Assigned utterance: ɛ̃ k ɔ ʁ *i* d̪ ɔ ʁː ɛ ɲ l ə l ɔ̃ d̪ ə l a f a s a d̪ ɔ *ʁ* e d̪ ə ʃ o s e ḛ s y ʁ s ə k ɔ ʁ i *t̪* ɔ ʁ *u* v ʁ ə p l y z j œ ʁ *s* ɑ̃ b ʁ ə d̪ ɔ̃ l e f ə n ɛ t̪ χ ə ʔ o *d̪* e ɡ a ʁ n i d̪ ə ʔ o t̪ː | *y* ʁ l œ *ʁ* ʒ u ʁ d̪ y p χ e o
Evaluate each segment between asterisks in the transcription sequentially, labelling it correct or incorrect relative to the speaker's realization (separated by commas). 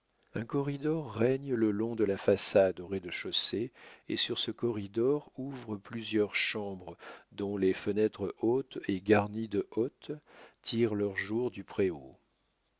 correct, correct, incorrect, correct, incorrect, incorrect, incorrect, correct